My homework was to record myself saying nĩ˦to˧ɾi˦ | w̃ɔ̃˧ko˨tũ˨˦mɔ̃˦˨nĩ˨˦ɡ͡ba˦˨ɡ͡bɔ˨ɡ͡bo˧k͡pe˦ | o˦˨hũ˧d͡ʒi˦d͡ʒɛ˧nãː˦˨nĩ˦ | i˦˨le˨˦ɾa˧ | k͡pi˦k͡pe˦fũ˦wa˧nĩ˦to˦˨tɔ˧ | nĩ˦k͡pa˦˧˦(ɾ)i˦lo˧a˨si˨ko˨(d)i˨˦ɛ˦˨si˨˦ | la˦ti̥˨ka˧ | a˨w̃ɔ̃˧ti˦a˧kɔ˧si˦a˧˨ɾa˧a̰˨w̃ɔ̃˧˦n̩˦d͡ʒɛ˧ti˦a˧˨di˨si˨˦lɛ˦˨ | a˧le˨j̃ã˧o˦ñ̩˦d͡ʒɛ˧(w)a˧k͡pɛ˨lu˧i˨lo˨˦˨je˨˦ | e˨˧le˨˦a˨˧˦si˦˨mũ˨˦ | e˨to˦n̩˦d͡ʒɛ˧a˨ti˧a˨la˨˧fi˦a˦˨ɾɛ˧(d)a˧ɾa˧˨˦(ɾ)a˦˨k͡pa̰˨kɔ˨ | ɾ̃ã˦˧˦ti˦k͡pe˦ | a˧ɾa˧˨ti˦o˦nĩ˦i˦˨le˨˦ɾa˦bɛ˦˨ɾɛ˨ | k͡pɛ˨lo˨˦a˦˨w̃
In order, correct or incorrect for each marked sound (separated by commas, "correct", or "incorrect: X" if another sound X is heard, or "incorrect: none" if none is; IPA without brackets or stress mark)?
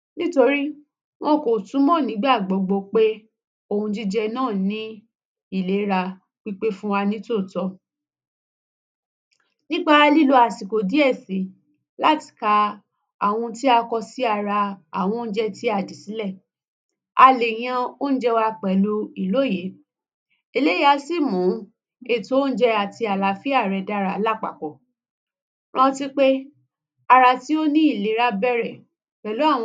incorrect: l, correct, correct, correct, incorrect: l